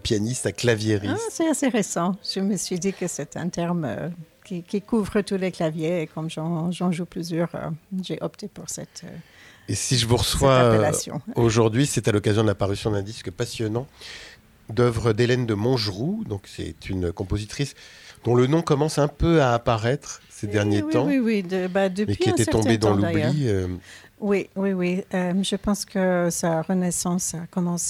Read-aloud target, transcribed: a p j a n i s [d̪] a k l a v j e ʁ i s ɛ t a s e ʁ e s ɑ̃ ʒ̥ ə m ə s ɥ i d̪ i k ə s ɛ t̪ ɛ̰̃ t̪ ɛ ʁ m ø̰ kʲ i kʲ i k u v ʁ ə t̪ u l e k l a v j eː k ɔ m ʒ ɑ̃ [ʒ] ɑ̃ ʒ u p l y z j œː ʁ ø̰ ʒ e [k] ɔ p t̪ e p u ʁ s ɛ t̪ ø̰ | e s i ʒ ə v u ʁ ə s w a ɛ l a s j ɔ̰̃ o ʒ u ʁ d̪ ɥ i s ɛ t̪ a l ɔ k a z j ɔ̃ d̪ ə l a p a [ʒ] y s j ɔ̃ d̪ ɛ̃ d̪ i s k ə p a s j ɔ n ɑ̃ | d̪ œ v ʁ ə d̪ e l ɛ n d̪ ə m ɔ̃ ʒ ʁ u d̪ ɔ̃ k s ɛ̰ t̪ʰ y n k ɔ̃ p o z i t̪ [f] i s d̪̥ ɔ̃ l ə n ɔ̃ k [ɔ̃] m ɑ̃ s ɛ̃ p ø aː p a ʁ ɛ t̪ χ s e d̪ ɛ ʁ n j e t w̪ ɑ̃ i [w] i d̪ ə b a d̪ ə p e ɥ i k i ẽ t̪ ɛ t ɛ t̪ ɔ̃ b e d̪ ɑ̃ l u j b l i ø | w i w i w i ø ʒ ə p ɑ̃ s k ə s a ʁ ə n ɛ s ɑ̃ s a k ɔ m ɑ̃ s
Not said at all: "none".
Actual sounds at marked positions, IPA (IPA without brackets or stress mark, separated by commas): t̪, ʒ, ʔ, ʁ, χ, ɔ, w